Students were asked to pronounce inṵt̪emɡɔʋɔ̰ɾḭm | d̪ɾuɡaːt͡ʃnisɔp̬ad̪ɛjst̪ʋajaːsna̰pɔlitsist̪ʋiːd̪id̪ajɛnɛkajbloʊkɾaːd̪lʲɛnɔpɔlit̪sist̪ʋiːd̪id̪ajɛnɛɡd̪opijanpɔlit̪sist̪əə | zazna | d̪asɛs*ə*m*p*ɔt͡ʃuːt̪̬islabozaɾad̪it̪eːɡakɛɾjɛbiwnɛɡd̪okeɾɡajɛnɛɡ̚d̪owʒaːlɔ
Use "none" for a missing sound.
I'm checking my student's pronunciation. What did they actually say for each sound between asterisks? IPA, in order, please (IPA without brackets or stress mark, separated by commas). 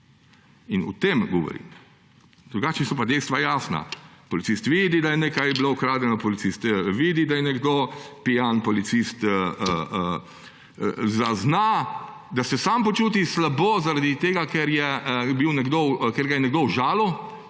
a, p